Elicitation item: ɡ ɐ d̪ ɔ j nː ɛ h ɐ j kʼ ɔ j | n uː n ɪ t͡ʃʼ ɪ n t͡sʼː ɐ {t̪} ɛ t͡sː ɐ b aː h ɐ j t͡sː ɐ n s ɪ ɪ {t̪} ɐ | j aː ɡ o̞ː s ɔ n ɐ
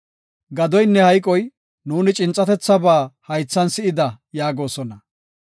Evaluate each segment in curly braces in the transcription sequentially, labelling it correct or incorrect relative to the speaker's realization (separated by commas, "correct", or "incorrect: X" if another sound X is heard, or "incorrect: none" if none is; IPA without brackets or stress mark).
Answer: correct, incorrect: d̪